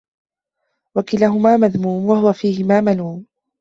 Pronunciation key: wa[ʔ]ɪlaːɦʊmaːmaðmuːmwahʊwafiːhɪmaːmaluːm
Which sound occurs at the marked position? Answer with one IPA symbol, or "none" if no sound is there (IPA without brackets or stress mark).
k